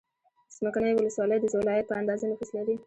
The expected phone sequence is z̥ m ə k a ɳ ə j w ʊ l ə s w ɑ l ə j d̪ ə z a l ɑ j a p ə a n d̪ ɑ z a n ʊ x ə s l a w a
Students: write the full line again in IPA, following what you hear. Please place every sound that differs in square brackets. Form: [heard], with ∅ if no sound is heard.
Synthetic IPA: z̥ m ə k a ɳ ə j w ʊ l ə s w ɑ l ə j d̪ ə z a l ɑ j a p ə a n d̪ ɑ z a n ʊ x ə s l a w [i]